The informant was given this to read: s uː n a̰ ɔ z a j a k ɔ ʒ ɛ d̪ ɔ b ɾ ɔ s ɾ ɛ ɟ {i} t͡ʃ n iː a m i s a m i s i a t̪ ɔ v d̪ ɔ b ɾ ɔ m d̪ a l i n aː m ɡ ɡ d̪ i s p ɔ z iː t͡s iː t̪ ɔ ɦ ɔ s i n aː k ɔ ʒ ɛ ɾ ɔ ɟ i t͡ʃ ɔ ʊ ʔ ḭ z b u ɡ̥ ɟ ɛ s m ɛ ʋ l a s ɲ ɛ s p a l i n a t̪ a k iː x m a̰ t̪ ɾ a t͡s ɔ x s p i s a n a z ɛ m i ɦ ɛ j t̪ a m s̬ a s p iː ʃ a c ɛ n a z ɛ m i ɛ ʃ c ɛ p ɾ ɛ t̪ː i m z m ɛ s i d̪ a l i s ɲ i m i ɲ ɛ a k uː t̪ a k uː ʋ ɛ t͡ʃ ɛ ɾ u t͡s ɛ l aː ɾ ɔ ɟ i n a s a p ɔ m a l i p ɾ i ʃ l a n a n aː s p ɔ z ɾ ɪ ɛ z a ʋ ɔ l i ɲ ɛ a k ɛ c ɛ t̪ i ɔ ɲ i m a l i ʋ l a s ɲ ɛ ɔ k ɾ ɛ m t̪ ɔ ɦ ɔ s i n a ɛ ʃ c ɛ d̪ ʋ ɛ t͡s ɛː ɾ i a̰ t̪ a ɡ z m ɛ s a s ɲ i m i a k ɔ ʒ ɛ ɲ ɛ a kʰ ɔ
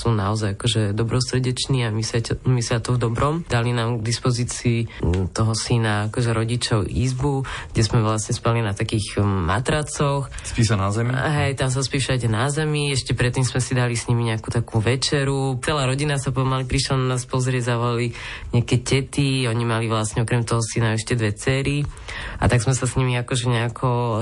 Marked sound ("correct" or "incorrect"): incorrect